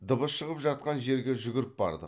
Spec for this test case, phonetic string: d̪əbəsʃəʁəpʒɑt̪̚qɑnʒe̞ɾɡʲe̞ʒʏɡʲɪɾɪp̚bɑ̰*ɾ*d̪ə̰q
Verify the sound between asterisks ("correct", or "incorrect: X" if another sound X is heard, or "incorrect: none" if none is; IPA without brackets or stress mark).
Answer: correct